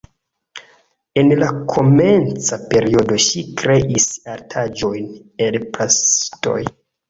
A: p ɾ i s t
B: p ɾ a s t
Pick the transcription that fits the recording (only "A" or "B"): B